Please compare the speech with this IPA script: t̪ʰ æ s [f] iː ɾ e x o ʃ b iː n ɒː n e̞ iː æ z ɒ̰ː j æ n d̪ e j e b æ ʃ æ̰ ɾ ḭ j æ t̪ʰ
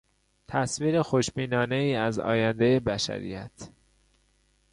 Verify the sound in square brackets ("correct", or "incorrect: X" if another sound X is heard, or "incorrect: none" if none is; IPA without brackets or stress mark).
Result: incorrect: v